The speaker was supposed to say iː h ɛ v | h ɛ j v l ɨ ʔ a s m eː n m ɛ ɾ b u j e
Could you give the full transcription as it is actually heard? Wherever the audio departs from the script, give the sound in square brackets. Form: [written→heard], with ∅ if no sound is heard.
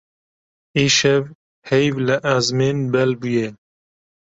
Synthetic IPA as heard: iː [h→ʃ] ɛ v | h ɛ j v l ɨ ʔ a [s→z] m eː n [m→b] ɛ [ɾ→l] b u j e